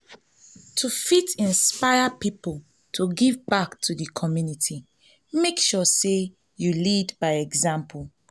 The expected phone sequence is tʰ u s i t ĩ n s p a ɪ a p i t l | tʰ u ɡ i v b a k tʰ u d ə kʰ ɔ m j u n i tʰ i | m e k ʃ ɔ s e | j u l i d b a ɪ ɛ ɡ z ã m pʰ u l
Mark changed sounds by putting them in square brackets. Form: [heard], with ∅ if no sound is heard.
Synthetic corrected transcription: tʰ u [f] i t ĩ n s p a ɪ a p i [p] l | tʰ u ɡ i v b a k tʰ u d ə kʰ ɔ m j u n i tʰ i | m e k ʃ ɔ s e | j u l i d b a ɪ ɛ ɡ z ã m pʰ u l